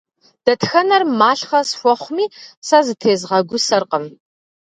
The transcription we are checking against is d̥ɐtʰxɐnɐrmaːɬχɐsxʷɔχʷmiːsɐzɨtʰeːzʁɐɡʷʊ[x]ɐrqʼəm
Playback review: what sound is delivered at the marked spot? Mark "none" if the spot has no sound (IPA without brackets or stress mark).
s